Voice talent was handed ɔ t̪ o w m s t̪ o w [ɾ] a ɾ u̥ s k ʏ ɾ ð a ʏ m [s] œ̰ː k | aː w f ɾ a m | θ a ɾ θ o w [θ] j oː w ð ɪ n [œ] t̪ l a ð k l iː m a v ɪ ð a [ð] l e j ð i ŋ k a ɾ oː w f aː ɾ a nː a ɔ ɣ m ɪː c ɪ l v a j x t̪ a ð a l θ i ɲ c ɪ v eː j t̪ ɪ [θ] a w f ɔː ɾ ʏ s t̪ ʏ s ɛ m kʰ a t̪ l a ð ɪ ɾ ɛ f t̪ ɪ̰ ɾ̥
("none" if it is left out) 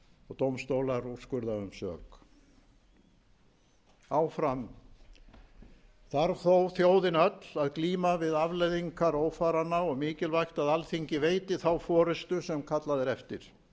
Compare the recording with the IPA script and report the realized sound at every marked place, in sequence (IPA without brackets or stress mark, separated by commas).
l, s, θ, œ, v, θ